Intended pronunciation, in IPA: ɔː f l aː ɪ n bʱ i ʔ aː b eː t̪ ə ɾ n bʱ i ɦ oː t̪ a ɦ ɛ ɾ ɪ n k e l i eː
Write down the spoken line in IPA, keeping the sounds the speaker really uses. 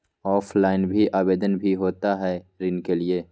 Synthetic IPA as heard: ɔː f l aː ɪ n bʱ i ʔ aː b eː d̪ ə n bʱ i ɦ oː t̪ a ɦ ɛ ɾ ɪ n k e l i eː